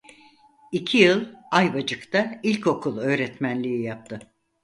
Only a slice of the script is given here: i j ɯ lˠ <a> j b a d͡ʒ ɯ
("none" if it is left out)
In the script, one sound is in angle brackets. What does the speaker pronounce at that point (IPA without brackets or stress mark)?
a